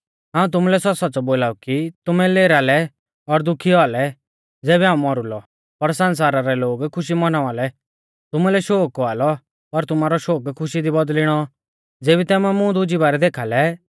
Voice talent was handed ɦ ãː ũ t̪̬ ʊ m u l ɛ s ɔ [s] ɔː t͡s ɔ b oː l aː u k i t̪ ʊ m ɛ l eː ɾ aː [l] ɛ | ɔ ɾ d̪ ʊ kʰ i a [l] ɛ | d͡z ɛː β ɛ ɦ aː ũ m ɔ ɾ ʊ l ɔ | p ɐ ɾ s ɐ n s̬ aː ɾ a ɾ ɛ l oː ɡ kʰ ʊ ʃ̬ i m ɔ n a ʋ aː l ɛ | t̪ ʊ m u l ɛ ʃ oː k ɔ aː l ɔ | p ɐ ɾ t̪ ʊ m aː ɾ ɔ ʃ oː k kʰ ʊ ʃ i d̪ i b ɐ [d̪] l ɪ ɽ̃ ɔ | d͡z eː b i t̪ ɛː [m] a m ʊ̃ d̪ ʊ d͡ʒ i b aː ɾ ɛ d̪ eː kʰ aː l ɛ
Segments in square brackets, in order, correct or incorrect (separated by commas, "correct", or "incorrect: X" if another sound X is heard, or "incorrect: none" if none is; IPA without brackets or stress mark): correct, correct, correct, correct, correct